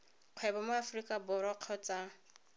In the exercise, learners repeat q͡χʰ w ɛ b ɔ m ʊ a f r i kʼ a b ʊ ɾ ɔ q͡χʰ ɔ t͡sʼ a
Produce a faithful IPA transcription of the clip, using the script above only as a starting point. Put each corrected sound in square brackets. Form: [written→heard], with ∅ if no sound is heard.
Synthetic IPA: q͡χʰ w ɛ b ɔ m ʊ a f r i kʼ a b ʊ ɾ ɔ q͡χʰ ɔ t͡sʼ a